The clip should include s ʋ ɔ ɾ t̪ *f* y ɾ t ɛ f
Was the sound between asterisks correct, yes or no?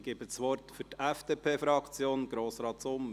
yes